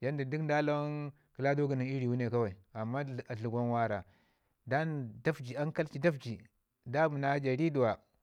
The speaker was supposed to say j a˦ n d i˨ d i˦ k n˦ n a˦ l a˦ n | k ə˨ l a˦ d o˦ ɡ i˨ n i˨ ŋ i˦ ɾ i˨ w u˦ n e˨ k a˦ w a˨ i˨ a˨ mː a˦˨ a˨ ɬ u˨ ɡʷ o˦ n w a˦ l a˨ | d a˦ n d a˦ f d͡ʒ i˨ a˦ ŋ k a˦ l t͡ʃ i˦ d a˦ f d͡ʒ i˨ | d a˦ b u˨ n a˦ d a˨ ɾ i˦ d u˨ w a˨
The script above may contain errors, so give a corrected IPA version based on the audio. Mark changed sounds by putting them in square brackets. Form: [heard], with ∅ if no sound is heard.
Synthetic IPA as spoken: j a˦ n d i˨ d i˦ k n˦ [d] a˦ l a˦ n | k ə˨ l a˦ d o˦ ɡ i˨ n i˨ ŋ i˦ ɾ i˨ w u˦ n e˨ k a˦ w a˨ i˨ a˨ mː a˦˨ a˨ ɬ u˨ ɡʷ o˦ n w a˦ [ɾ] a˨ | d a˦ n d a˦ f d͡ʒ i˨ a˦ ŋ k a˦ l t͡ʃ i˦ d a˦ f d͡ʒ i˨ | d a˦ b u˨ n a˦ [d͡ʒ] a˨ ɾ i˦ d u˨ w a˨